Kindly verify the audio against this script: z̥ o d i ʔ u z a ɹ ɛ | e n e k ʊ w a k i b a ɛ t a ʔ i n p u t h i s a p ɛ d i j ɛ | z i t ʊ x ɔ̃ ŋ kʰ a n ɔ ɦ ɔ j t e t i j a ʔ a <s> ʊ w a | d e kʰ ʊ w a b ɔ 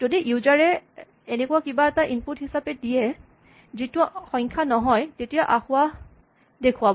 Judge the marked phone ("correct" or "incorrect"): incorrect